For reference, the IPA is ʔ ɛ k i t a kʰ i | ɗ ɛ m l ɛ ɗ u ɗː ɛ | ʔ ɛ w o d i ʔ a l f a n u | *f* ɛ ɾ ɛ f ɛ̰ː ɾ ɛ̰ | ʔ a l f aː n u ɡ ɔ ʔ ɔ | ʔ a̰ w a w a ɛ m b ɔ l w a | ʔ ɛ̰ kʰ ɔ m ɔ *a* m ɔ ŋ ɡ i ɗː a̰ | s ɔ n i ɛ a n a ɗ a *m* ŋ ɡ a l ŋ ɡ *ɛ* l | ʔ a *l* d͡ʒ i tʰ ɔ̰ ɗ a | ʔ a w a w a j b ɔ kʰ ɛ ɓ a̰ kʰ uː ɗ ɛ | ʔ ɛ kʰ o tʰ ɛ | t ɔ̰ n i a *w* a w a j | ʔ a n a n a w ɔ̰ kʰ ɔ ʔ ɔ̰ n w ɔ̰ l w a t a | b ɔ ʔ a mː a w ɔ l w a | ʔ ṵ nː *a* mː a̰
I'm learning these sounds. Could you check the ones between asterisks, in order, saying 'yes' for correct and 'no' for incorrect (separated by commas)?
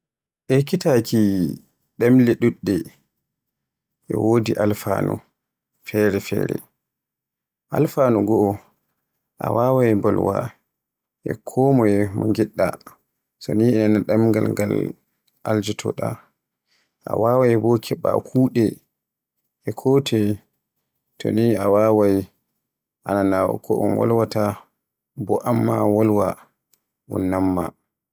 yes, no, yes, no, yes, yes, yes